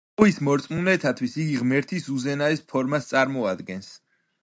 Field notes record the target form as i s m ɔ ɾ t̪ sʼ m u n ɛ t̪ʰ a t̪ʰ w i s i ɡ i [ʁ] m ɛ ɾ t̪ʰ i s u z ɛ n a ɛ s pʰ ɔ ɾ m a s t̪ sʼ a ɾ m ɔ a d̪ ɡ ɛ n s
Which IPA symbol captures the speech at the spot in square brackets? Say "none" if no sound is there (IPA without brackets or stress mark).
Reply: ʁ